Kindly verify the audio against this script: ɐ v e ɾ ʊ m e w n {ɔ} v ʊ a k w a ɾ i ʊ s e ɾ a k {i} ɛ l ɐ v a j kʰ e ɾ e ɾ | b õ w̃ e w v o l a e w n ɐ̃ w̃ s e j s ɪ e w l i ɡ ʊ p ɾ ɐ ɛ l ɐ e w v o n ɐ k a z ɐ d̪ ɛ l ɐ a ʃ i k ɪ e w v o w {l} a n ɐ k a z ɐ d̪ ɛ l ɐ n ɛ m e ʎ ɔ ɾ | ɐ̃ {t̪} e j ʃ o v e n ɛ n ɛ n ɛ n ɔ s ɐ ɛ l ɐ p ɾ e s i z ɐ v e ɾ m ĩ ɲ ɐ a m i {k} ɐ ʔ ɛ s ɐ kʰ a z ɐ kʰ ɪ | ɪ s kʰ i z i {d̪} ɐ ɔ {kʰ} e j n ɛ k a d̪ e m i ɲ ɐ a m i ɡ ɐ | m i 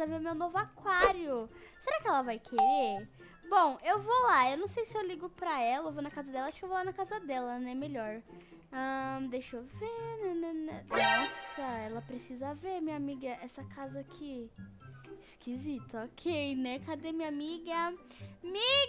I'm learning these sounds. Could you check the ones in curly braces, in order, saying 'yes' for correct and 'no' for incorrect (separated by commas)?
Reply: no, no, yes, no, no, no, yes